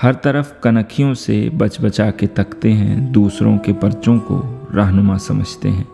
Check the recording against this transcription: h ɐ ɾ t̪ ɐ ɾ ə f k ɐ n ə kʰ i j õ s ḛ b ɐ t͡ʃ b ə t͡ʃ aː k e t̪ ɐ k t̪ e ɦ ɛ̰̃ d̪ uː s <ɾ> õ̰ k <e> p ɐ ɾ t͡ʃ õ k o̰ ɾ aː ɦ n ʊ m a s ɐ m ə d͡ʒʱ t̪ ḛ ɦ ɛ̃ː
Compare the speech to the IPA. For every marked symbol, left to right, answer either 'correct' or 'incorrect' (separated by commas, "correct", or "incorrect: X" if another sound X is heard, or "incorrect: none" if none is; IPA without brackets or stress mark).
correct, correct